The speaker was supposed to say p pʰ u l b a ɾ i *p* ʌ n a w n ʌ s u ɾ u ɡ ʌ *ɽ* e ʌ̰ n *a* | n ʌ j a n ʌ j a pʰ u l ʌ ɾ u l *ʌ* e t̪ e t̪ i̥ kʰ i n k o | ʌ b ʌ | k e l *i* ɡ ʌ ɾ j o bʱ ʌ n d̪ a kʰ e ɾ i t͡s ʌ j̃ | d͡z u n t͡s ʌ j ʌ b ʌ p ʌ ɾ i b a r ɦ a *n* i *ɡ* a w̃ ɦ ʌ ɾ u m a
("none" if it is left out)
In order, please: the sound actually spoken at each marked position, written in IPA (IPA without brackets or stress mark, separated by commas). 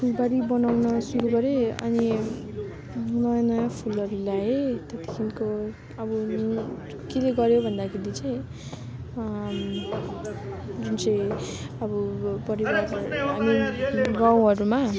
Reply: b, ɾ, i, a, e, m, ɡ